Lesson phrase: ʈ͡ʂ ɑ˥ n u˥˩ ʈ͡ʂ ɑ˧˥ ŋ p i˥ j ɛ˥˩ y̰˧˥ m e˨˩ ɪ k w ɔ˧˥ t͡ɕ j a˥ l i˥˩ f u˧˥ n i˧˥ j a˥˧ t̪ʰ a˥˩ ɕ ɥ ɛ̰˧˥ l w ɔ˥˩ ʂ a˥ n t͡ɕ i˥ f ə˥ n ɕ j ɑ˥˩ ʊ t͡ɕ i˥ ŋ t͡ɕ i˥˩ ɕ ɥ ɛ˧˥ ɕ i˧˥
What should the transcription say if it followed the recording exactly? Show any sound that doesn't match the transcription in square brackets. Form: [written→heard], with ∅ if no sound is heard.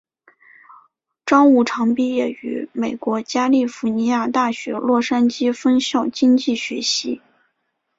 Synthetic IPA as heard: ʈ͡ʂ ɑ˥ [n→ŋ] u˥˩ [ʈ͡ʂ→ʈ͡ʂʰ] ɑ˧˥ ŋ p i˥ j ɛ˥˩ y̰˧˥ m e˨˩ ɪ k w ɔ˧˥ t͡ɕ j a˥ l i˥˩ f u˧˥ n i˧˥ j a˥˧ [t̪ʰ→t̪] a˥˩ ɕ ɥ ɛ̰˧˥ l w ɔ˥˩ ʂ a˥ n t͡ɕ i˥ f ə˥ n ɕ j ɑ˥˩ ʊ t͡ɕ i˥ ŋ t͡ɕ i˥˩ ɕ ɥ ɛ˧˥ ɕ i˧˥